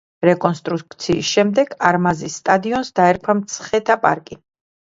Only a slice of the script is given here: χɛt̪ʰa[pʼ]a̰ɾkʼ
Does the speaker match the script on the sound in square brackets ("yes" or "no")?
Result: yes